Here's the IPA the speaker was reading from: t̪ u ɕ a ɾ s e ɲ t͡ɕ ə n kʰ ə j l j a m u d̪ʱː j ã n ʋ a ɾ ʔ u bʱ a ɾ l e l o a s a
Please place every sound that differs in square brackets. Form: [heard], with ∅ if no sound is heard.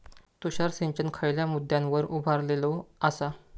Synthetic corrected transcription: t̪ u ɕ a ɾ s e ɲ t͡ɕ ə n kʰ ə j l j a m u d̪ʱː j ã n ʋ [ə] ɾ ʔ u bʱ a ɾ l e l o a s a